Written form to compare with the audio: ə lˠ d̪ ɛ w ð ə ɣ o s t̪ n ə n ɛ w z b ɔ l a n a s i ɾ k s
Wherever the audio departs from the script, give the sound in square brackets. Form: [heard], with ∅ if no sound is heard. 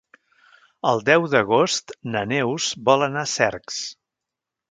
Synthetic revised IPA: ə lˠ d̪ ɛ w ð ə ɣ o s t̪ n ə n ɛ w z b ɔ l [ə] n a s [ɛ] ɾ k s